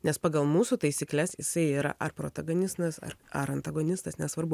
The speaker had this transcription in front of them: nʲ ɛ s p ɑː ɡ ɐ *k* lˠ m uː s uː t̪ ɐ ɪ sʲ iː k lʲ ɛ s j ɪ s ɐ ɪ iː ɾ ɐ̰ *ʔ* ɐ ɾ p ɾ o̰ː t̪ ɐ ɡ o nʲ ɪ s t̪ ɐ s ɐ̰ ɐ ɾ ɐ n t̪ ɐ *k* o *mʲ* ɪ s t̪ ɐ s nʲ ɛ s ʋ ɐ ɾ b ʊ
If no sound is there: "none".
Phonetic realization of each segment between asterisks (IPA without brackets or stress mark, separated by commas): none, ʔ, ɡ, nʲ